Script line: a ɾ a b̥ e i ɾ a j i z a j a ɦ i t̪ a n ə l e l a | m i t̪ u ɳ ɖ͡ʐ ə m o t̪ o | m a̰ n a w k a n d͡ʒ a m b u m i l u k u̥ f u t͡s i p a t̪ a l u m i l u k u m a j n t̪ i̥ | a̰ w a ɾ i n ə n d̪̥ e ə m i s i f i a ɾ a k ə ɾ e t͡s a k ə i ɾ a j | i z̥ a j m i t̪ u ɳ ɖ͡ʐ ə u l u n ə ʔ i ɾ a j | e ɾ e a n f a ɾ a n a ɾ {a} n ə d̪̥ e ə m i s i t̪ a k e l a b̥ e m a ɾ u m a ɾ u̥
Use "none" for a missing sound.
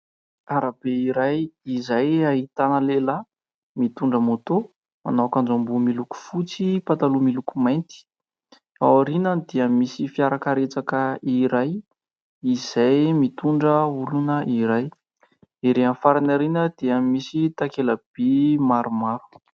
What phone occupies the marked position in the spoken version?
i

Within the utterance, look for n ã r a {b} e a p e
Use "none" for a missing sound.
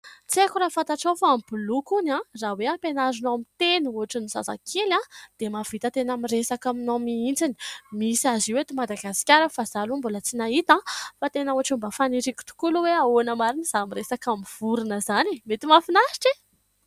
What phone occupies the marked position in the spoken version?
w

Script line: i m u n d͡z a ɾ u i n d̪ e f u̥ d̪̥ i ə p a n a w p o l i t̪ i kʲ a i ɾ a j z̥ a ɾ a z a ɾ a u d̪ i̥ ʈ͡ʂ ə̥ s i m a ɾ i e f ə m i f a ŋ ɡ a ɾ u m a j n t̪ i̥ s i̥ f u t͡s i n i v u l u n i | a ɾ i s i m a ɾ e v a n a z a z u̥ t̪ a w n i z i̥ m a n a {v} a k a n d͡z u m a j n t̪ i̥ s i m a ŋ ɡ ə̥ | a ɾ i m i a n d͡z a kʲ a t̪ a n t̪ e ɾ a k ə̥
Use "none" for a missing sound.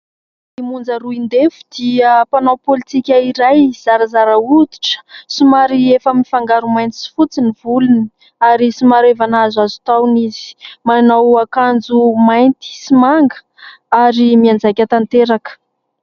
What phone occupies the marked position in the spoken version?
w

